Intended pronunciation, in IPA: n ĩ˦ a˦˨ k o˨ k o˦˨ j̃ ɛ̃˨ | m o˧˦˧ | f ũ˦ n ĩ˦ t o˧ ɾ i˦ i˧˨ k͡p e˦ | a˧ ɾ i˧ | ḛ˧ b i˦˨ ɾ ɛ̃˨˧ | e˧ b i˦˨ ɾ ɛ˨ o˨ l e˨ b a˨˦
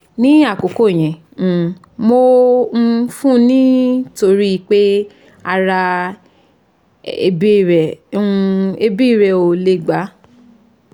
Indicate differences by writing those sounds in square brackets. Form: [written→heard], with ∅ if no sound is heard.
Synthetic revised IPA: n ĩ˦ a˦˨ k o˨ k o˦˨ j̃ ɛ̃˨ | m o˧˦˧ | f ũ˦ n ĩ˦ t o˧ ɾ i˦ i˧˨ k͡p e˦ | a˧ ɾ [i˧→a˧] | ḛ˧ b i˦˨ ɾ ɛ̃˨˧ | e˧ b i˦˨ ɾ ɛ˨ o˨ l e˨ [b→ɡ͡b] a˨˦